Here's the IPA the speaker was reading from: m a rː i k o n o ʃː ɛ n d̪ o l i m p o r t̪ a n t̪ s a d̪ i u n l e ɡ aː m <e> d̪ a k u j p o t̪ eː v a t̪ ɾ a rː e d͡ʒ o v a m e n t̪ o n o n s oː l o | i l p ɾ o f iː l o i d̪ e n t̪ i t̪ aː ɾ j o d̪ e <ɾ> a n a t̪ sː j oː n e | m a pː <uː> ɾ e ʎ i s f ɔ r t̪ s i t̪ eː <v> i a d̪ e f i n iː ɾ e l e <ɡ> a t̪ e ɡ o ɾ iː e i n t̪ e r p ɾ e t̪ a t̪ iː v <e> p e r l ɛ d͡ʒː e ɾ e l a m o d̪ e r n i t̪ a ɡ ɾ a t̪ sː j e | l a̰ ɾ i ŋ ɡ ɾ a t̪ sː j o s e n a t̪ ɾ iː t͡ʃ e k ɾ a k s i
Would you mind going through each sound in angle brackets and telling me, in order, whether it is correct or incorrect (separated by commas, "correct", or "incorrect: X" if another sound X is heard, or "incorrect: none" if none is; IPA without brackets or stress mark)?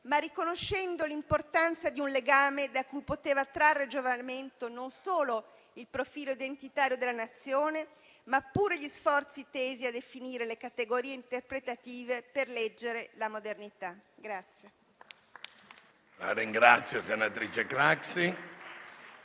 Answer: correct, incorrect: l, correct, incorrect: z, incorrect: k, correct